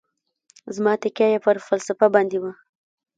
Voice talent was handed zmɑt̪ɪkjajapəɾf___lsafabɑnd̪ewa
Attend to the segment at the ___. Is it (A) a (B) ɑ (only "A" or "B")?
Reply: A